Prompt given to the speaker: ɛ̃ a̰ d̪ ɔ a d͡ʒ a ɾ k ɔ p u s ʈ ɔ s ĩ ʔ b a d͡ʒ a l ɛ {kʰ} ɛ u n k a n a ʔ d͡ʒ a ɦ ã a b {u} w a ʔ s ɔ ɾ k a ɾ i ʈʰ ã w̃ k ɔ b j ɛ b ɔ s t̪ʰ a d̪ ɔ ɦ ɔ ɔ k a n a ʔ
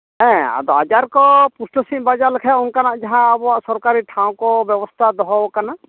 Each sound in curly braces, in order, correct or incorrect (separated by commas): correct, incorrect